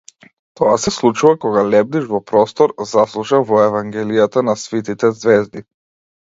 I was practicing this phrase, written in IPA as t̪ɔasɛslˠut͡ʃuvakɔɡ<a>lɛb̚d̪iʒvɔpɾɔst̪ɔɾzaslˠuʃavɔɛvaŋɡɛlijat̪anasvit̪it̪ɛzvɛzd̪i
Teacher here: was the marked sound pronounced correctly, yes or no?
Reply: yes